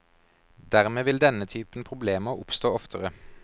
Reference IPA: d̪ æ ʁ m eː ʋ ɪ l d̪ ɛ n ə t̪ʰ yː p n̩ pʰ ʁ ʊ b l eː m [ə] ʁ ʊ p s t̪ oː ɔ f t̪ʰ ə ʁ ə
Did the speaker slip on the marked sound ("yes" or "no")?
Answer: no